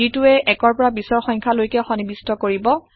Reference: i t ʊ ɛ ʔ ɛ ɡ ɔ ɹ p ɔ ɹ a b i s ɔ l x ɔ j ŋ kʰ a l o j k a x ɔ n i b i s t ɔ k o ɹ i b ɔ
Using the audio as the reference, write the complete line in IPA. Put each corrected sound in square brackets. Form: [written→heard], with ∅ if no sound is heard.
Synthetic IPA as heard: i t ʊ ɛ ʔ ɛ [ɡ→k] ɔ ɹ p ɔ ɹ a b i s ɔ [l→ɹ] x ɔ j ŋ kʰ a l o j k [a→ɛ] x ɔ n i b i s t ɔ k o ɹ i b ɔ